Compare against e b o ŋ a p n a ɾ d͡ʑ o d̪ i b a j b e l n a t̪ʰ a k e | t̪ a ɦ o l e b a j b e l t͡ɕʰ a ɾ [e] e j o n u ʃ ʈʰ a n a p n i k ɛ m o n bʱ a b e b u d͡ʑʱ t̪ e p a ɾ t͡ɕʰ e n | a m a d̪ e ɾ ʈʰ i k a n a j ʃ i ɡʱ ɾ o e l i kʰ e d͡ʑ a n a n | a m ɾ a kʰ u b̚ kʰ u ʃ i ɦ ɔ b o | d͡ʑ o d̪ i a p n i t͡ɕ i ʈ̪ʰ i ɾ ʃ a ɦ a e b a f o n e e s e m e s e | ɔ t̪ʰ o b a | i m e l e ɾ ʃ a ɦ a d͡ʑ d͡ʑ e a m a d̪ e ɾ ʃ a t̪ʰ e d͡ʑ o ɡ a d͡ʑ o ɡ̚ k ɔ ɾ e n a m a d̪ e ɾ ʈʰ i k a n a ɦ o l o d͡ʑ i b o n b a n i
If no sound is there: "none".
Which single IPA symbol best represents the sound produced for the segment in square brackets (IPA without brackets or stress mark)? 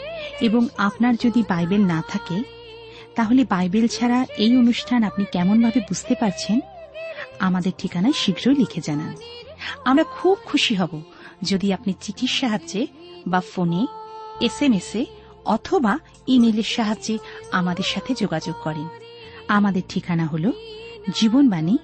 a